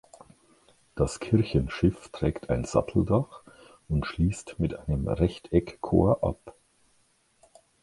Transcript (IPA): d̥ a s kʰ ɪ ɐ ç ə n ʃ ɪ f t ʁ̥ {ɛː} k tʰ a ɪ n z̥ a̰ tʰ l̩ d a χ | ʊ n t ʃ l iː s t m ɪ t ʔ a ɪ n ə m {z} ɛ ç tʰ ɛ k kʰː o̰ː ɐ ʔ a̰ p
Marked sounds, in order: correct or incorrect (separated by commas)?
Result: correct, incorrect